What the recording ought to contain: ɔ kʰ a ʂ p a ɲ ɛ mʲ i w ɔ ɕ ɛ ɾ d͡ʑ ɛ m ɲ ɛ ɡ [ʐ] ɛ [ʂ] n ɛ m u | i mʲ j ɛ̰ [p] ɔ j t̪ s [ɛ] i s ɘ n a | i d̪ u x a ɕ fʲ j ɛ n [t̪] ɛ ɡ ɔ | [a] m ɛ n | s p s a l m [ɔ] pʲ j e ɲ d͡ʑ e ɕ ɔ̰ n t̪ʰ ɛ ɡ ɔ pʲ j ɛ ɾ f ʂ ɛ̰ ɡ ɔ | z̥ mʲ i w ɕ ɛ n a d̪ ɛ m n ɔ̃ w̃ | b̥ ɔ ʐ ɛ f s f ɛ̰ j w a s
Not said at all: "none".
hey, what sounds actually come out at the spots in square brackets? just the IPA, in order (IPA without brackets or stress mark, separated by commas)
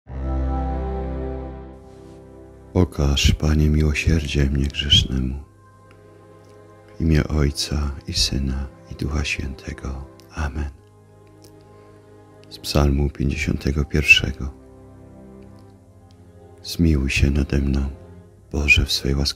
ʐ, ʂ, ʔ, a, t̪ʰ, a, u